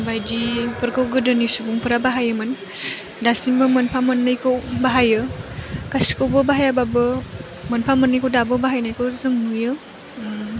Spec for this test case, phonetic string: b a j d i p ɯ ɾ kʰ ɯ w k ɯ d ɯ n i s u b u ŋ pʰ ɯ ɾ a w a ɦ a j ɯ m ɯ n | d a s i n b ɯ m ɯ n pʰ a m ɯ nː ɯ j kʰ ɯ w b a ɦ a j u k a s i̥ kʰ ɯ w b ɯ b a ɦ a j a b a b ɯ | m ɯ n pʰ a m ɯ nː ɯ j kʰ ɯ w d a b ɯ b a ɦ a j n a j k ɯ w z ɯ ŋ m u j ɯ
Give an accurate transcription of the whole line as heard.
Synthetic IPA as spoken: b a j d i p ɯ ɾ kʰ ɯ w ɡ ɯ d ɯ n i s u b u ŋ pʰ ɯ ɾ a b a ɦ a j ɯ m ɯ n | d a s i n b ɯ m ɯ n pʰ a m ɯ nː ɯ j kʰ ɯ w b a ɦ a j ɯ k a s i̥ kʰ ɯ w b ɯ b a ɦ a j a b a b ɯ | m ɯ n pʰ a m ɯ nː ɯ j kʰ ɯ w d a b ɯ b a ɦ a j n a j k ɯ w z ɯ ŋ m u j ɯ